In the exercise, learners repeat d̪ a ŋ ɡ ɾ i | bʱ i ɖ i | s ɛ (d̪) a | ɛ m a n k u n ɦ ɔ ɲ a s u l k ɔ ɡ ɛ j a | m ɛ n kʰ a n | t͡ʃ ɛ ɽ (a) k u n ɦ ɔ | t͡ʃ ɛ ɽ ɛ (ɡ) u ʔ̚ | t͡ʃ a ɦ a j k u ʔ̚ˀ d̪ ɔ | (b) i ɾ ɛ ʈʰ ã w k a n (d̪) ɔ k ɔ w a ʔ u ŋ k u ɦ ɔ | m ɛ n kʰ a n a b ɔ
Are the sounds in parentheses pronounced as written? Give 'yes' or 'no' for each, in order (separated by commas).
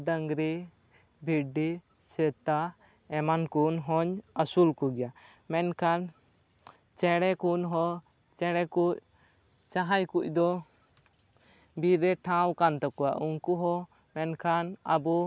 no, no, no, yes, no